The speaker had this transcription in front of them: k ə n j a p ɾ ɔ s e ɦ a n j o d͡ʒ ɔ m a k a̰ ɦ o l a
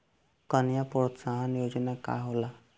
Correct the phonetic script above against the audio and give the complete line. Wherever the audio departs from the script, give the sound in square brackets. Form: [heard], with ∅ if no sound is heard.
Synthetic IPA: k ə n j a p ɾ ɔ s [a] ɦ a n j o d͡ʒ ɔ [n] a k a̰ ɦ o l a